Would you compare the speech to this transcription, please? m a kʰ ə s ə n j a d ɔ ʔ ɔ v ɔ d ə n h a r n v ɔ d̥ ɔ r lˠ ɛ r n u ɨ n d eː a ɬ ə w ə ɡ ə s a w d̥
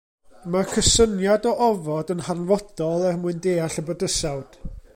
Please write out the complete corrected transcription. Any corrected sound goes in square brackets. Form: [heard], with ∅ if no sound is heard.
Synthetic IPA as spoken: m a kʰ ə s ə n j a d ɔ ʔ ɔ v ɔ d ə n h a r n v ɔ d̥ ɔ [∅] lˠ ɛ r [m] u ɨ n d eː a ɬ ə [b] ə [d] ə s a w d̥

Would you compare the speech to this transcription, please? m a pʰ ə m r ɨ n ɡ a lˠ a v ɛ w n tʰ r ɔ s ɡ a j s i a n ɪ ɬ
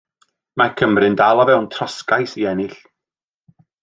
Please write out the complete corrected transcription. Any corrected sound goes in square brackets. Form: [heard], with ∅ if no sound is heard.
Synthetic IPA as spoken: m a [kʰ] ə m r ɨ n [d] a lˠ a v ɛ w n tʰ r ɔ s [k] a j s i [ɛ] n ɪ ɬ

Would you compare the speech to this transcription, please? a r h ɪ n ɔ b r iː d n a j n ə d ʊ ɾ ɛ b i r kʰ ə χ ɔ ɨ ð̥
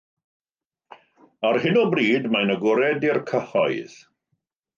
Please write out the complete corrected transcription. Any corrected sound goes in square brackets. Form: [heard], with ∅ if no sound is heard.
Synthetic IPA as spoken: a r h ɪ n ɔ b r iː d [m] a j n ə [ɡ] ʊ ɾ ɛ [d] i r kʰ ə [h] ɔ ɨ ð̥

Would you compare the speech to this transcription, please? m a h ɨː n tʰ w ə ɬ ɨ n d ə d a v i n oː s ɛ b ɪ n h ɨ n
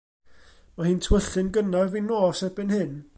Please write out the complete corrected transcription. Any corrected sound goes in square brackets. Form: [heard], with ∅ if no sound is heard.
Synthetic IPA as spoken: m a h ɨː n tʰ w ə ɬ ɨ n [ɡ] ə [n] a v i n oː s ɛ b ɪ n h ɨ n

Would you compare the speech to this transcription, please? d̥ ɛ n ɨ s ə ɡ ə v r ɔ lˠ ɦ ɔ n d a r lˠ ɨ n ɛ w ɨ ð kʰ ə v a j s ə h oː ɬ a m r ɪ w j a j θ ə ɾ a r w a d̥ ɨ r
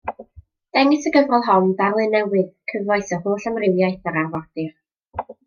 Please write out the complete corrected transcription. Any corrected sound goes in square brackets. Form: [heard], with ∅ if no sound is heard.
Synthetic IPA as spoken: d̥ ɛ [ŋ] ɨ s ə ɡ ə v r ɔ lˠ ɦ ɔ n d a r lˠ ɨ n ɛ w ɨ ð kʰ ə v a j s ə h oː ɬ a m r ɪ w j a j θ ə ɾ a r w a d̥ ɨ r

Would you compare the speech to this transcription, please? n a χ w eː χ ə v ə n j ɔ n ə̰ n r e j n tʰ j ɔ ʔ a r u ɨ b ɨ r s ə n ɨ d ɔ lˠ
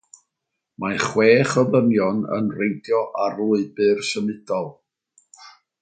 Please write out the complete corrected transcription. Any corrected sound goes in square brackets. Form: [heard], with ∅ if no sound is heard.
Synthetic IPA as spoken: [m] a χ w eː χ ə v ə n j ɔ n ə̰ n r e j n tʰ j ɔ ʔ a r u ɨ b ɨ r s ə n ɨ d ɔ lˠ

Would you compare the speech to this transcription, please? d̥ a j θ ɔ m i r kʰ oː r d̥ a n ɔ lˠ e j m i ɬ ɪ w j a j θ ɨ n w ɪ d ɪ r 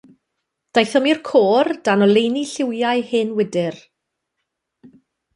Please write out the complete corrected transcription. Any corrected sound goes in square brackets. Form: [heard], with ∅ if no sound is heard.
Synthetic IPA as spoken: d̥ a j θ ɔ m i r kʰ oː r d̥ a n ɔ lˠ e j [n] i ɬ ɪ w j a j [h] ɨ n w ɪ d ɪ r

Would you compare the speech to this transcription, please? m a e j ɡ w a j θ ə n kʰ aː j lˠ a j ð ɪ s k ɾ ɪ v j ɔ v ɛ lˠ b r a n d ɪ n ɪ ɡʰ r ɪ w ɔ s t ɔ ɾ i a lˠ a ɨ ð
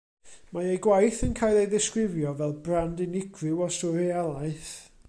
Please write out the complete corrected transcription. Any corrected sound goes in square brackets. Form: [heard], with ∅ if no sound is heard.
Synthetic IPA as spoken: m a e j ɡ w a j θ ə n kʰ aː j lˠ [e] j ð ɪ s k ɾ ɪ v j ɔ v ɛ lˠ b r a n d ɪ n ɪ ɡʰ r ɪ w ɔ s t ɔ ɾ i a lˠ a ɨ [θ]

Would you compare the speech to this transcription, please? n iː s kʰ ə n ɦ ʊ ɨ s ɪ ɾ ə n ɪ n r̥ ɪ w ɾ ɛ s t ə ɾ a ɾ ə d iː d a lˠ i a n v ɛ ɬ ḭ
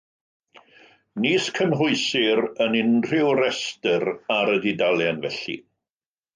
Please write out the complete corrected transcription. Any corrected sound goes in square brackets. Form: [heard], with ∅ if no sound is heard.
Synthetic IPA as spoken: n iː s kʰ ə [m] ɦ ʊ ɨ s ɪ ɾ ə n ɪ n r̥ ɪ w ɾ ɛ s t ə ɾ a ɾ ə d [i] d a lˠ [j] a n v ɛ ɬ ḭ

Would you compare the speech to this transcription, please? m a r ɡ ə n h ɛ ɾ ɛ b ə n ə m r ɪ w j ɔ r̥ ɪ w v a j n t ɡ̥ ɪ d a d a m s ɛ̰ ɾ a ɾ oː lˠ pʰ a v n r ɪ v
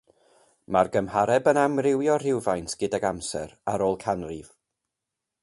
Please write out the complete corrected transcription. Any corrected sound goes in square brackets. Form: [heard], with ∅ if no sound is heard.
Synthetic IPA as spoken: m a r ɡ ə [m] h [a] ɾ ɛ b ə n [a] m r ɪ w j ɔ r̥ ɪ w v a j n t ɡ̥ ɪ d a [ɡ] a m s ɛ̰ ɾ a ɾ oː lˠ [kʰ] a [∅] n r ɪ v

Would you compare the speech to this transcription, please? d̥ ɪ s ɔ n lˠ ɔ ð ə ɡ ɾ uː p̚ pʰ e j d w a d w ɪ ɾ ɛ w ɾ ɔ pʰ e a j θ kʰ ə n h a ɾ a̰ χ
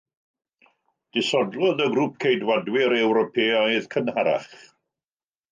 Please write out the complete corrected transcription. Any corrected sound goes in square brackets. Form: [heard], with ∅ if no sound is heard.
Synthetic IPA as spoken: d̥ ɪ s ɔ [d] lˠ ɔ ð ə ɡ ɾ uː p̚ [kʰ] e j d w a d w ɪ ɾ ɛ w ɾ ɔ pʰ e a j [ð] kʰ ə n h a ɾ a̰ χ

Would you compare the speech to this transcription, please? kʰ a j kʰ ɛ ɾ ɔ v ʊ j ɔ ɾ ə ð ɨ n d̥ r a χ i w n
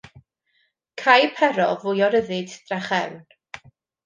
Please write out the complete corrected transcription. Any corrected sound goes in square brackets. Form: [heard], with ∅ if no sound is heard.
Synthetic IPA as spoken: kʰ a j [pʰ] ɛ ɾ ɔ v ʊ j ɔ ɾ ə ð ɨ [d] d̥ r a χ [ɛ] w n

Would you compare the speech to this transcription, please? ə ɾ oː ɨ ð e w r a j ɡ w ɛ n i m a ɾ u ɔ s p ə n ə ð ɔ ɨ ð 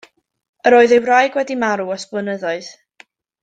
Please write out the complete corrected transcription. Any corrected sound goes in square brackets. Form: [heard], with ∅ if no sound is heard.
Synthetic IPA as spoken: ə ɾ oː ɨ ð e w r a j ɡ w ɛ [d] i m a ɾ u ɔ s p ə n ə ð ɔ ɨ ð

